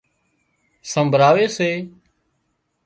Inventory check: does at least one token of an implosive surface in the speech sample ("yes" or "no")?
no